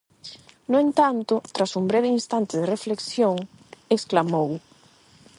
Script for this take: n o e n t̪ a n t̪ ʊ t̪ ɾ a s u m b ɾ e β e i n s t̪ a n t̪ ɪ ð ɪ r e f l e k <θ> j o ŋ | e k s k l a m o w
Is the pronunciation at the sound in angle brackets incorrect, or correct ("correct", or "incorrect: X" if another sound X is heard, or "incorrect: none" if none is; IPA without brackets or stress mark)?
incorrect: s